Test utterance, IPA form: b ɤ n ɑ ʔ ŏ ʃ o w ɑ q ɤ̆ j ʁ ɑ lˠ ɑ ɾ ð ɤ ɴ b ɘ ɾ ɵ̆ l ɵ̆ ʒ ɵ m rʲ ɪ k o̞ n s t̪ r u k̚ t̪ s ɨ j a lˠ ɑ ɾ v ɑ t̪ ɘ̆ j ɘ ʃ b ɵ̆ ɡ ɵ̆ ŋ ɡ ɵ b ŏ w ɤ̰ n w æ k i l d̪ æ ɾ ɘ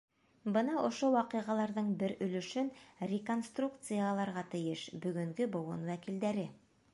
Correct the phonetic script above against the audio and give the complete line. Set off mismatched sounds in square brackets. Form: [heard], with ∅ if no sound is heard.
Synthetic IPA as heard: b ɤ n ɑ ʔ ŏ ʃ o w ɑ q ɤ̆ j ʁ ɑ lˠ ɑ ɾ ð ɤ ɴ b ɘ ɾ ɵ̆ l ɵ̆ [ʃ] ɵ [n] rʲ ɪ k o̞ n s t̪ r u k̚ t̪ s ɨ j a lˠ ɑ ɾ [ʁ] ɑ t̪ ɘ̆ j ɘ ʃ b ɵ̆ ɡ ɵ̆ ŋ ɡ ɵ b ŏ w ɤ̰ n w æ k i l d̪ æ ɾ ɘ